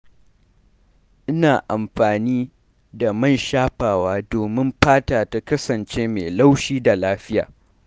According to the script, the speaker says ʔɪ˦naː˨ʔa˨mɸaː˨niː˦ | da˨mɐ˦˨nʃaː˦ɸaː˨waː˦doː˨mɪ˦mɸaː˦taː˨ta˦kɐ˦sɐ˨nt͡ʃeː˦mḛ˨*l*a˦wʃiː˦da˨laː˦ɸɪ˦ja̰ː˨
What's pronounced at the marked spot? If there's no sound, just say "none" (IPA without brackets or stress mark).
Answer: l